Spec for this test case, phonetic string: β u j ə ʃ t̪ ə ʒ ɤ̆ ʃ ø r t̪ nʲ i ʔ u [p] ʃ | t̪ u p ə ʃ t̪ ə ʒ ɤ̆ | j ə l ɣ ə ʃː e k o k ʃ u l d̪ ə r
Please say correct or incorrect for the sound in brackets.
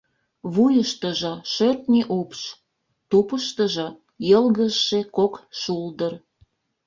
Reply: correct